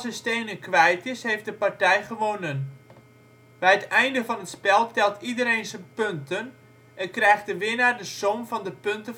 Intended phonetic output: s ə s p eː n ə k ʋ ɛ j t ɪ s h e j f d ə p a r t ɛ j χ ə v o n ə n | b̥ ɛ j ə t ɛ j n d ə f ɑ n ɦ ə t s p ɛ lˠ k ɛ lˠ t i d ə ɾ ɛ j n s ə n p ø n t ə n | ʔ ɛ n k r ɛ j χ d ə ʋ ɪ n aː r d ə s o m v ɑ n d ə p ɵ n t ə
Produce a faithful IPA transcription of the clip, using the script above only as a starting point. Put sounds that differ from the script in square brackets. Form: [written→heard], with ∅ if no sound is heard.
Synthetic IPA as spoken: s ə s [p→t] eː n ə k ʋ ɛ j t ɪ s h e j f d ə p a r t ɛ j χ ə [v→ʋ] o n ə n | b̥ ɛ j ə t ɛ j n d ə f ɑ n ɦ ə t s p ɛ lˠ [k→t] ɛ lˠ t i d ə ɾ [ɛ→e] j n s ə n p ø n t ə n | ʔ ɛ n k r ɛ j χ d ə ʋ ɪ n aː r d ə s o m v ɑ n d ə p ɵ n t ə

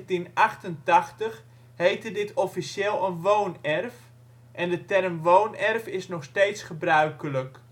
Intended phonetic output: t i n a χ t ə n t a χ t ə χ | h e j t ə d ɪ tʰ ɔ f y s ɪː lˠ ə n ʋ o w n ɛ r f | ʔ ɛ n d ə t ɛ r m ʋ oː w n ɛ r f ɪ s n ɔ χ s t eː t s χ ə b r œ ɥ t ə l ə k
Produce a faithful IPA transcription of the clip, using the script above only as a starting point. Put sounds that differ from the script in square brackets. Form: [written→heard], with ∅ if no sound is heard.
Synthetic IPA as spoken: t i n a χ t ə n t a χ t ə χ | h e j t ə d ɪ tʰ ɔ f [y→i] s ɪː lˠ ə n ʋ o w n ɛ r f | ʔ ɛ n d ə t ɛ r m ʋ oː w n ɛ r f ɪ s n ɔ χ s t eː t s χ ə b r œ ɥ [t→k] ə l ə k

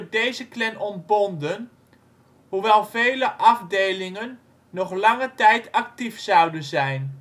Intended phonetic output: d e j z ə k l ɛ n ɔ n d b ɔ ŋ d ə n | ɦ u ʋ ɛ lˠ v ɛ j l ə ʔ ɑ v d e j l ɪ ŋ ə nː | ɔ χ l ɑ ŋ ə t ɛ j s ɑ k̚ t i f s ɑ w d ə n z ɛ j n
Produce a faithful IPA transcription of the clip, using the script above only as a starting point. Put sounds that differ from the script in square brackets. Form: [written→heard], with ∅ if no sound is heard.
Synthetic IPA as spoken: d e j z ə k l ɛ n ɔ n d b ɔ [ŋ→n] d ə n | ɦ u ʋ ɛ lˠ v [ɛ→e] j l ə ʔ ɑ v d e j l ɪ ŋ ə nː | ɔ χ l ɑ ŋ ə t ɛ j [s→t] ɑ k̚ t i f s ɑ w d ə n z ɛ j n

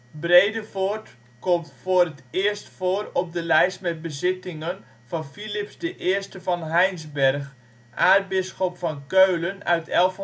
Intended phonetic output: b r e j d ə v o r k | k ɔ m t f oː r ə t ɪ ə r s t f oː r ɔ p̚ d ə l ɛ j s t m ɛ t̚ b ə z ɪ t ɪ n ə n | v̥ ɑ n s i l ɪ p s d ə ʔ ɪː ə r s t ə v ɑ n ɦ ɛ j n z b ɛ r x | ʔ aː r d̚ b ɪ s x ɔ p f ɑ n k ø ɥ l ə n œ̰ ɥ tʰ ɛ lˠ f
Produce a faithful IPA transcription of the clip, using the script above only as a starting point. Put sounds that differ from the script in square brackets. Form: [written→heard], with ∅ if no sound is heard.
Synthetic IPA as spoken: b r e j d ə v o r [k→t] | k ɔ m t f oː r ə t ɪ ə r s t f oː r ɔ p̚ d ə l ɛ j s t m ɛ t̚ b ə z ɪ t ɪ [n→ŋ] ə n | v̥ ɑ n [s→f] i l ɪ p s d ə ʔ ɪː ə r s t ə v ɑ n ɦ ɛ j n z b ɛ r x | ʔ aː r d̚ b ɪ s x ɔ p f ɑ n k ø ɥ l ə n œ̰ ɥ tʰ ɛ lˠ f

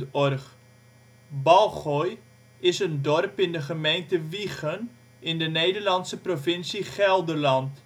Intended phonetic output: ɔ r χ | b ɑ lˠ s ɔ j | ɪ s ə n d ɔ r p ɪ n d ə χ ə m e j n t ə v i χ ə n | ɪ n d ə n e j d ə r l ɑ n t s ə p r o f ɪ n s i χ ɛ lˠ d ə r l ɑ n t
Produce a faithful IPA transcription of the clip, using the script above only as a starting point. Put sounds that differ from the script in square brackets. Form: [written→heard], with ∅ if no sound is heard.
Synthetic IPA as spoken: ɔ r χ | b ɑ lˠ [s→χ] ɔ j | ɪ s ə n d ɔ r p ɪ n d ə χ ə m e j n t ə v i χ ə n | ɪ n d ə n e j d ə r l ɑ n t s ə p r o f ɪ n s i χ ɛ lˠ d ə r l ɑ n t

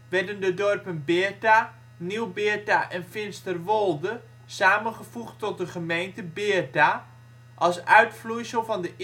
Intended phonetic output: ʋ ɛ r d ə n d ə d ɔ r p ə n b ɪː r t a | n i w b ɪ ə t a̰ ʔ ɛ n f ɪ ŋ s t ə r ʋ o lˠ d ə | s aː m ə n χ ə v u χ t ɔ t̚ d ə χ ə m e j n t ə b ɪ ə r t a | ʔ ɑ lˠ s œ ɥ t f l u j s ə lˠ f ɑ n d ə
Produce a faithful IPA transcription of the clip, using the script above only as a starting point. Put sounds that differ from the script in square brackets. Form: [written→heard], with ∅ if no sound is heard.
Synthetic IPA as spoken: ʋ ɛ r d ə n d ə d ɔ r p ə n b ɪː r t a | n i w b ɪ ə t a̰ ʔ ɛ n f ɪ [ŋ→n] s t ə r ʋ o lˠ d ə | s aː m ə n χ ə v u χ t ɔ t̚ d ə χ ə m e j n t ə b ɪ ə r t a | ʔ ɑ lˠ s œ ɥ t f l u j s ə lˠ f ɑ n d ə

